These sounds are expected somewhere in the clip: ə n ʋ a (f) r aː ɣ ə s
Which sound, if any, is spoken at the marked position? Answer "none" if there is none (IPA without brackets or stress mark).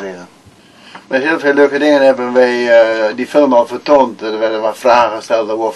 f